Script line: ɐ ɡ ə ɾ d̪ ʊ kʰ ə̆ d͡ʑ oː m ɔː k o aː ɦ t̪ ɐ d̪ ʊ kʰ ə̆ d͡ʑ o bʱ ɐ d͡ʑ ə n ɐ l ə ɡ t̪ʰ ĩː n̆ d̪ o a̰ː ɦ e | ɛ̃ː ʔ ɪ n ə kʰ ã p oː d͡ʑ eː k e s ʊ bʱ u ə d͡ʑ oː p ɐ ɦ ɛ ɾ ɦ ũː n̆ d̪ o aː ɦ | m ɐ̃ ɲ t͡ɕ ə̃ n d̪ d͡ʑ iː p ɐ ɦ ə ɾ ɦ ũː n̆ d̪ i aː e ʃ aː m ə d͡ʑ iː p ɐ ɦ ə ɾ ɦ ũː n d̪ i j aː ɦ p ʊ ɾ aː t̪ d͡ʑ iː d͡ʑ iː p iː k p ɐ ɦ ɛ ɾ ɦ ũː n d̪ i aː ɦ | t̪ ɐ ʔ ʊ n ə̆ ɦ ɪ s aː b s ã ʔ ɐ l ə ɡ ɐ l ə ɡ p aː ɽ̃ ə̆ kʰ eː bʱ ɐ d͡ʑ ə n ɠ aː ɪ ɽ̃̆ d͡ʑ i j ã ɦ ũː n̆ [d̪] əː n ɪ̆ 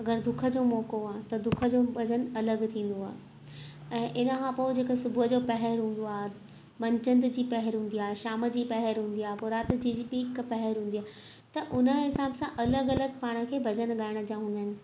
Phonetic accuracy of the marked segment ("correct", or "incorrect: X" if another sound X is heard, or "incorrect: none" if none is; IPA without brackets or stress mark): correct